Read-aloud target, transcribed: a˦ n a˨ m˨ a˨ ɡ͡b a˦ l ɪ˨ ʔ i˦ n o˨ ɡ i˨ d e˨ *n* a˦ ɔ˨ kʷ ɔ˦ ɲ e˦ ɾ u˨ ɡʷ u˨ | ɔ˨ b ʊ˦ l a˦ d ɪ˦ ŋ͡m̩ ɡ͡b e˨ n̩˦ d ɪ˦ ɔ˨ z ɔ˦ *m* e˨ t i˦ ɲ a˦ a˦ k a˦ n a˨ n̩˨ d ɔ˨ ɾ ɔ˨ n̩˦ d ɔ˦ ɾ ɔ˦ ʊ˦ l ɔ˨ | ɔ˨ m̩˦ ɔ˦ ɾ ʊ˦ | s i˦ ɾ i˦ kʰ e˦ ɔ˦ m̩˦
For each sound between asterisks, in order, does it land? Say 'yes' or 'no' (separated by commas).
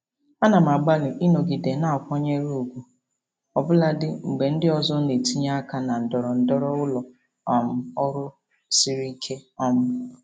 yes, no